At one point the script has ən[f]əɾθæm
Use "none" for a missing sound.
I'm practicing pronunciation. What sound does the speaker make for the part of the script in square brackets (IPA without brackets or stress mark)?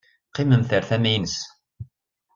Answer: θ